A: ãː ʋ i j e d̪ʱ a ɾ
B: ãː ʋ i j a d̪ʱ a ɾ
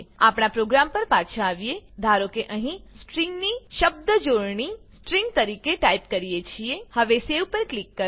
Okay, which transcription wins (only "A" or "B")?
A